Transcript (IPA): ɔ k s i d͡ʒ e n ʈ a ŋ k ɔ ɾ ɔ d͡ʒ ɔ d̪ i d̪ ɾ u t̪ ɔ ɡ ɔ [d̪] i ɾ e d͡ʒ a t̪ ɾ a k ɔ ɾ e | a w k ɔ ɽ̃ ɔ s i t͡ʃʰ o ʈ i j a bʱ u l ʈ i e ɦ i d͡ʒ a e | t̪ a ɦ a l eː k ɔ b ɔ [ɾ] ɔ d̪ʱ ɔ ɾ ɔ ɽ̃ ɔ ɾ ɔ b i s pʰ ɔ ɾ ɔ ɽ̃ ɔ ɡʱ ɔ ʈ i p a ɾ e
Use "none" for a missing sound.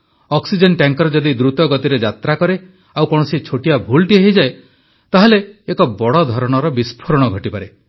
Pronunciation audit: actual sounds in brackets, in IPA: t̪, ɽ

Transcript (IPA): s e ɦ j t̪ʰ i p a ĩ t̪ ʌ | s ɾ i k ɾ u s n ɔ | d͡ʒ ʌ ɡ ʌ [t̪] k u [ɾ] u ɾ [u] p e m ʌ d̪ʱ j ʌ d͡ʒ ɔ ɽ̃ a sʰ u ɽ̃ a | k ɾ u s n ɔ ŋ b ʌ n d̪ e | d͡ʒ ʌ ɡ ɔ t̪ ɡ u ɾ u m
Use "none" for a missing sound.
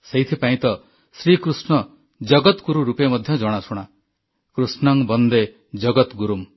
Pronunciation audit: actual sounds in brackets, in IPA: t̪, ɾ, u

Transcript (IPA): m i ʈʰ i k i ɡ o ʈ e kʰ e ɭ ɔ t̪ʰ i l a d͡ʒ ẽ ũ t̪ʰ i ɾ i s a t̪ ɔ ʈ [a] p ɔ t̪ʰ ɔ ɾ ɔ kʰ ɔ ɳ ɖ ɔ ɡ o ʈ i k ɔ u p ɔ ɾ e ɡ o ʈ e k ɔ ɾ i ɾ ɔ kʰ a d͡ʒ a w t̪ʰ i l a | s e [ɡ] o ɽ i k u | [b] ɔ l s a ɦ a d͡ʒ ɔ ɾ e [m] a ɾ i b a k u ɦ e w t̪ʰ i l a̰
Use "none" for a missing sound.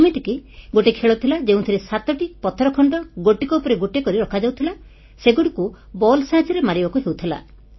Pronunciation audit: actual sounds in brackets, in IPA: i, ɡ, b, m

